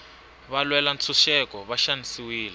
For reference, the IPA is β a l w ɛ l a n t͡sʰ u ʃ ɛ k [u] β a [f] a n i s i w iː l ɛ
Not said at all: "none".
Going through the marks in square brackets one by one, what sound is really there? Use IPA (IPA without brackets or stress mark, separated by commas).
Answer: ɔ, ʃ